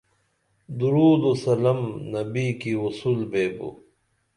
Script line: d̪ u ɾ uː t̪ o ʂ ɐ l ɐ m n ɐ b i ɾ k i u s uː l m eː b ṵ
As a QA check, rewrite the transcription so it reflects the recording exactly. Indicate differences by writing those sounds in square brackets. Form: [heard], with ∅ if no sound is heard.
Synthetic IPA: d̪ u ɾ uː [d̪] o [s] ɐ l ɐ m n ɐ b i [∅] k i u s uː l [b] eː b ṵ